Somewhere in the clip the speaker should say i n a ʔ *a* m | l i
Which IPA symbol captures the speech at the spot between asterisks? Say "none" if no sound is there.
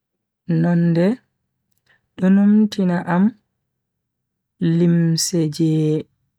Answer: a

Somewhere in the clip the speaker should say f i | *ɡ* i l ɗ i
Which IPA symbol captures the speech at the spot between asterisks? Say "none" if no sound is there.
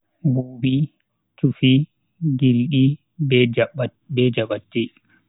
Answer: ɡ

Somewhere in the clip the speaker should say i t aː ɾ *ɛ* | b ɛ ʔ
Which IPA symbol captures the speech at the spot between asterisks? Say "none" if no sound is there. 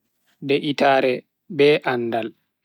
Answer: ɛ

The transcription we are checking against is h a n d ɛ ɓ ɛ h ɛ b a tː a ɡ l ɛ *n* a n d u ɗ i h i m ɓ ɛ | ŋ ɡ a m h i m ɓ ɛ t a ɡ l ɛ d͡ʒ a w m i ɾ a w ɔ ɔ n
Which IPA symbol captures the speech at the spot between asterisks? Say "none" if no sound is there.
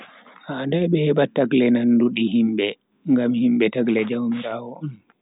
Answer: n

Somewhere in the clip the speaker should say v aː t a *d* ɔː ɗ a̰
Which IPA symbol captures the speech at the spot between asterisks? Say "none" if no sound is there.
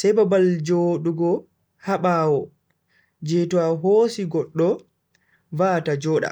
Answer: d͡ʒ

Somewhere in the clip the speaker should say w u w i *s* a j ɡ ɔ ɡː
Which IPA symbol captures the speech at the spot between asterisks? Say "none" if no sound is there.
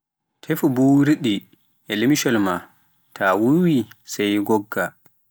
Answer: s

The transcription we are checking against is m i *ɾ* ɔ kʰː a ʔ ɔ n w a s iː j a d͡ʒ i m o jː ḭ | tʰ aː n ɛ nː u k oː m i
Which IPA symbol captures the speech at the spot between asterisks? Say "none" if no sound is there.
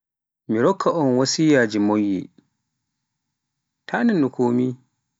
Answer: ɾ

